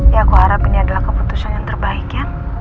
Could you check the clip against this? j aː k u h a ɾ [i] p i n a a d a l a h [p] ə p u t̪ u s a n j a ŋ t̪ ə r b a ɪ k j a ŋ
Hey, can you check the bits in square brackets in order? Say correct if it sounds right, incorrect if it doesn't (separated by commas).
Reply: incorrect, incorrect